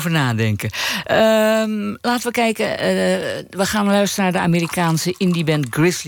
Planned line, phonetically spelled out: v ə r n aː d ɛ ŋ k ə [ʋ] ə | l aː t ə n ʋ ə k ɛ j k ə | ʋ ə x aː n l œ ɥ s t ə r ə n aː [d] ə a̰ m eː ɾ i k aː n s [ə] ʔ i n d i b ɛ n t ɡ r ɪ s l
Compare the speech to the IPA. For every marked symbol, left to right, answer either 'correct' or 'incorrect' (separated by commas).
incorrect, correct, correct